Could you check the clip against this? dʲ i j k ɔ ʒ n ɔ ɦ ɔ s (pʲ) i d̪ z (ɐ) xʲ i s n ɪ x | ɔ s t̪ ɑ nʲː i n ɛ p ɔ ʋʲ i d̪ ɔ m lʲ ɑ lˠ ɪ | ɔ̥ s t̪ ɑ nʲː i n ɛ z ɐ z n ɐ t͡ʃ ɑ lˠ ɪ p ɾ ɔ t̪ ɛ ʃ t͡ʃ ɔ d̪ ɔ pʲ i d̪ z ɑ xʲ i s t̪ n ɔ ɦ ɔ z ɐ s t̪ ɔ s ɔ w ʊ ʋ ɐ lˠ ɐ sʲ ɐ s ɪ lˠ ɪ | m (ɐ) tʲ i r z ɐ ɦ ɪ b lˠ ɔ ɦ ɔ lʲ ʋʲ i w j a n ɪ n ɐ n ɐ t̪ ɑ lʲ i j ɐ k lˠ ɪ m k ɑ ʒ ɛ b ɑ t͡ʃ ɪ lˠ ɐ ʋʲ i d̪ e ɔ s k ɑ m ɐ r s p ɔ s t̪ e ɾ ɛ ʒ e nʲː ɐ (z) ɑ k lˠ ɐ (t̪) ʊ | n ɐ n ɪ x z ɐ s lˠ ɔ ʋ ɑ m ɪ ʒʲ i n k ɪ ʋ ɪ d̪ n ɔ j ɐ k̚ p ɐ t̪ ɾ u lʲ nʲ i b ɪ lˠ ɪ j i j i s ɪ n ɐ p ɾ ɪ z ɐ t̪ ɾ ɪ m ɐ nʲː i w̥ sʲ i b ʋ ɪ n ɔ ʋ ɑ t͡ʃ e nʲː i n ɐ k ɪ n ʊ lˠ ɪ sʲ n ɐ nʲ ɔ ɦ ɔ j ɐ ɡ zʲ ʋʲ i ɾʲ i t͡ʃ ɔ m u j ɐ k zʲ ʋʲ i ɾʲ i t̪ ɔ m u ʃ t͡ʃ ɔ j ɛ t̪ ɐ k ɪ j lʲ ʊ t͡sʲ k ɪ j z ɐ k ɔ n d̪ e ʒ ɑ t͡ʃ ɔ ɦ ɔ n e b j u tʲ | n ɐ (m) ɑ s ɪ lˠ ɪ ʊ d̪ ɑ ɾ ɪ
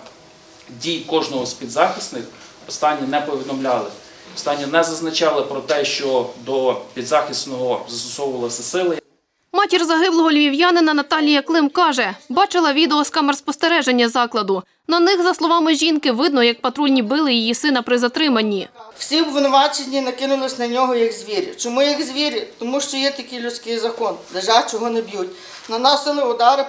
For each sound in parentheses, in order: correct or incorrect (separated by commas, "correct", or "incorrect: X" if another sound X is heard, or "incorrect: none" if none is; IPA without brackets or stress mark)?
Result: correct, incorrect: ɑ, incorrect: ɑ, correct, incorrect: d̪, incorrect: n